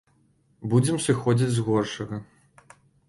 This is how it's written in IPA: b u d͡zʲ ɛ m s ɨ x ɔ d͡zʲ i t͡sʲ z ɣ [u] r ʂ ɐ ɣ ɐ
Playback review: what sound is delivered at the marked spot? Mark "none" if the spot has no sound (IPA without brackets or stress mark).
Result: ɔ